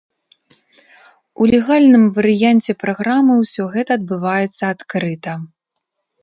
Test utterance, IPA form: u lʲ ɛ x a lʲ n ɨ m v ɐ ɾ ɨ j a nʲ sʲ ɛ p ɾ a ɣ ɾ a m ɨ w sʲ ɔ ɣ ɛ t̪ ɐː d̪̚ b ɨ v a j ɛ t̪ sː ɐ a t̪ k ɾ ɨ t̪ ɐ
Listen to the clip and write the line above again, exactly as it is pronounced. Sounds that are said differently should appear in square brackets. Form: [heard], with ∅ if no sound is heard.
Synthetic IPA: u lʲ ɛ [ɣ] a lʲ n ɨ m v ɐ ɾ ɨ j a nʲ [t͡sʲ] ɛ p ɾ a ɣ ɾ a m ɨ w sʲ ɔ ɣ ɛ t̪ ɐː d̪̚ b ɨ v a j ɛ t̪ sː ɐ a t̪ k ɾ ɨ t̪ ɐ